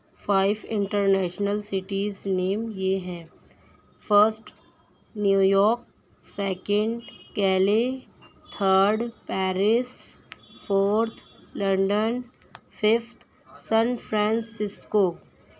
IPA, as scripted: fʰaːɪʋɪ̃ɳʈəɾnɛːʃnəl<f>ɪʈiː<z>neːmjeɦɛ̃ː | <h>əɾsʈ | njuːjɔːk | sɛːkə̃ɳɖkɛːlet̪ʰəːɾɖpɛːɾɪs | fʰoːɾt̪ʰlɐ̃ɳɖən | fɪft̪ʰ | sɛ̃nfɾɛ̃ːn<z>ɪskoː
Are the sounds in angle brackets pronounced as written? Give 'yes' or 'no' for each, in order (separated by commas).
no, yes, no, no